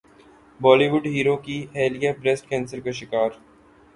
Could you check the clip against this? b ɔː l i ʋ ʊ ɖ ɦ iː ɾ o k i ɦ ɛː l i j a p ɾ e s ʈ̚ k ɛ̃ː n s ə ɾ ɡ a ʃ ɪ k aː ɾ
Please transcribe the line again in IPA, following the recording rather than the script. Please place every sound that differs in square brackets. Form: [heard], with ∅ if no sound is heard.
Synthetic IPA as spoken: b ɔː l i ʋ ʊ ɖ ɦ iː ɾ o k i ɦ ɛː l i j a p ɾ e s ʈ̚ k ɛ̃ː n s ə ɾ [k] a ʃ ɪ k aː ɾ